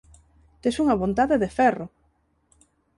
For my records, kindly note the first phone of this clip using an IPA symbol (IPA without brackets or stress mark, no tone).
t̪